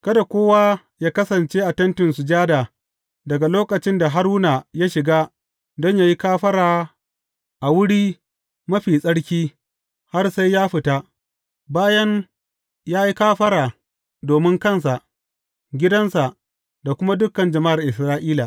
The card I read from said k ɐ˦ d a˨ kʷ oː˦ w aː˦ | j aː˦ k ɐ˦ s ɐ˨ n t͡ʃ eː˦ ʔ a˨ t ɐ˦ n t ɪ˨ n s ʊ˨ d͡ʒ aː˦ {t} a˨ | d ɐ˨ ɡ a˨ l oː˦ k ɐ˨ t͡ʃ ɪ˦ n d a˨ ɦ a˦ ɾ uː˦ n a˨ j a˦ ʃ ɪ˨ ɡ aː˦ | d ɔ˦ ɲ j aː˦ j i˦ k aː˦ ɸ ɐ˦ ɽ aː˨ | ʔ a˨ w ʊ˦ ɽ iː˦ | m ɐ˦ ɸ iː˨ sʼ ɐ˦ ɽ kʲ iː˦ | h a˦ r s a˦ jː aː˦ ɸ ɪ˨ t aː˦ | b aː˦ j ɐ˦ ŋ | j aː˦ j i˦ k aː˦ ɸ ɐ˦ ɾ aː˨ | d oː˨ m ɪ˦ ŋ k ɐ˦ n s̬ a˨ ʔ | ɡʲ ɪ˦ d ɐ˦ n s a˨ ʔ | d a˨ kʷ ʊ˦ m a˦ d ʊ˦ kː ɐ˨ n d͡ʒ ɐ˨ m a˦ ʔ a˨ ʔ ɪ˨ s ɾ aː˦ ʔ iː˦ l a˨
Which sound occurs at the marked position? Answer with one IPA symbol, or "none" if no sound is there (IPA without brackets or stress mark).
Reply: d